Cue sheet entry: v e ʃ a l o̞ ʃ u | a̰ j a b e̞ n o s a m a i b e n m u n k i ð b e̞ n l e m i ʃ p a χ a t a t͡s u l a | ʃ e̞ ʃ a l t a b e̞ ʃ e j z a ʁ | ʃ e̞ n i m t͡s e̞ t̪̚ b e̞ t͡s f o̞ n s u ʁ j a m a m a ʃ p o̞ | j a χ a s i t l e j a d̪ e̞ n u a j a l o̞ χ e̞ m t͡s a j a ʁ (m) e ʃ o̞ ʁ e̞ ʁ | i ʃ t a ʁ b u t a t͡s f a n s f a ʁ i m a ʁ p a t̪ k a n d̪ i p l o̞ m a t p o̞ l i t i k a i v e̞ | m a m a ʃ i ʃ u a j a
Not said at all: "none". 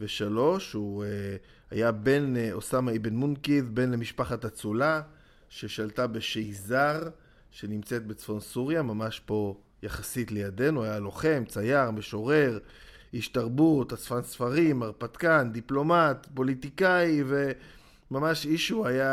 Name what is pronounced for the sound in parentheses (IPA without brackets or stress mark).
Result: m